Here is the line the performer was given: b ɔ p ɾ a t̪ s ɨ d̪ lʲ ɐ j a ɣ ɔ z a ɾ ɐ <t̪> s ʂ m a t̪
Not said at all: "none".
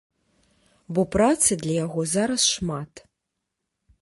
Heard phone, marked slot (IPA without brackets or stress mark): none